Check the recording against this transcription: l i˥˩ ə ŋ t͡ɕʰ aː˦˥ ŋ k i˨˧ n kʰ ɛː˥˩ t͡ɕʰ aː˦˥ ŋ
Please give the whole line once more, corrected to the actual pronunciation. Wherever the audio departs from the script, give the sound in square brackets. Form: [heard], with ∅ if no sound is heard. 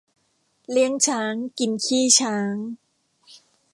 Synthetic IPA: l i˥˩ ə ŋ t͡ɕʰ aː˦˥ ŋ k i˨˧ n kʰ [iː˥˩] t͡ɕʰ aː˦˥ ŋ